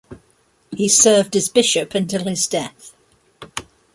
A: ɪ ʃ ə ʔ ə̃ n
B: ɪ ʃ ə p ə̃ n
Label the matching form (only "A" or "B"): B